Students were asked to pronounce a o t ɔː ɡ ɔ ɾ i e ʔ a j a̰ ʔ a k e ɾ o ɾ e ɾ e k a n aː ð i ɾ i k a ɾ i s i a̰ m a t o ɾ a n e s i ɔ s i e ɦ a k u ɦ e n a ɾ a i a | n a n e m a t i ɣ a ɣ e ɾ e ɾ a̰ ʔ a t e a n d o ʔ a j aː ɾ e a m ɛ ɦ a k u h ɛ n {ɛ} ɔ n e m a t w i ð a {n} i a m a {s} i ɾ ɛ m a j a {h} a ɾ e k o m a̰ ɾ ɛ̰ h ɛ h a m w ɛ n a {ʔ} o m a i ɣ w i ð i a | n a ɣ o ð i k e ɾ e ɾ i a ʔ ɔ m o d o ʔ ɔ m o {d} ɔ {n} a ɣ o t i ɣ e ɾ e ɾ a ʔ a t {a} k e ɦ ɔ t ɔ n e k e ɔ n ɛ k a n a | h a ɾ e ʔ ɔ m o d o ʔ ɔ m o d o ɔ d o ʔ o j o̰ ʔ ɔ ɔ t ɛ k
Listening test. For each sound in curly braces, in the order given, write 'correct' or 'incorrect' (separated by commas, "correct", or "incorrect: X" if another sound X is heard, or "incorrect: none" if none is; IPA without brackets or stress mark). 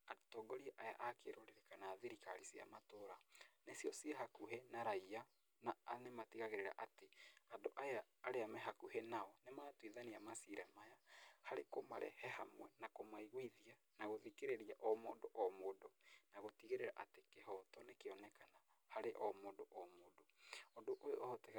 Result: incorrect: a, correct, correct, correct, incorrect: k, correct, correct, incorrect: e